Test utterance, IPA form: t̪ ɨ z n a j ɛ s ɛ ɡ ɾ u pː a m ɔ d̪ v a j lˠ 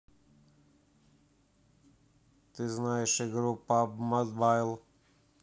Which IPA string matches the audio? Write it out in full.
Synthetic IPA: t̪ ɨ z n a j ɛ ʃ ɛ ɡ ɾ u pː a m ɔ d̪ b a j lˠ